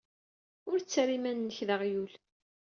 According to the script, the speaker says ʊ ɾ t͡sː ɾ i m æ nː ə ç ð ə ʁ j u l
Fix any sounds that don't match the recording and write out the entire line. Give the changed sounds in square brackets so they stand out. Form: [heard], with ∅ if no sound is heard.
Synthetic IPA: ʊ ɾ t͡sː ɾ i m æ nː ə ç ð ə ʁ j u l